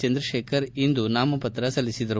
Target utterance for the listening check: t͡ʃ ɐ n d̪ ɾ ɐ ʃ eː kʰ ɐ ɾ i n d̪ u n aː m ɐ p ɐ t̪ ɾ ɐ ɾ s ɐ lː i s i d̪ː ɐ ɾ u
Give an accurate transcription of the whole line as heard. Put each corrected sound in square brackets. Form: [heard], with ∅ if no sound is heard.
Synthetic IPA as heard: t͡ʃ ɐ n d̪ ɾ ɐ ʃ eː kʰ ɐ ɾ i n d̪ u n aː m ɐ p ɐ t̪ ɾ ɐ [∅] s ɐ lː i s i [d̪] ɐ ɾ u